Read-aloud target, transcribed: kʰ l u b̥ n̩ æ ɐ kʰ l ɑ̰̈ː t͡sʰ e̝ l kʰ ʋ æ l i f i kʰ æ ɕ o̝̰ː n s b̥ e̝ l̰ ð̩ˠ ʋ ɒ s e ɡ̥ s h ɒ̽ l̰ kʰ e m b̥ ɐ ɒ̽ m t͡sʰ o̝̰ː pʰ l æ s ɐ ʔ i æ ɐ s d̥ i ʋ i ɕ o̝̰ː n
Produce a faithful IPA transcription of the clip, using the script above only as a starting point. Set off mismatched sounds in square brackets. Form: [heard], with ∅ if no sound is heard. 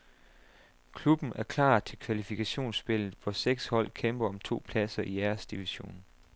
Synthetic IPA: kʰ l u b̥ n̩ æ ɐ kʰ l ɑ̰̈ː t͡sʰ e̝ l kʰ ʋ æ l i f i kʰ æ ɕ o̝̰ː n s b̥ e̝ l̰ ð̩ˠ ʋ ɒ s e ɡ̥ s h ɒ̽ l̰ kʰ e m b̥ ɐ ɒ̽ m t͡sʰ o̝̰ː pʰ l æ s ɐ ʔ i æ ɐ s d̥ i ʋ i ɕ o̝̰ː n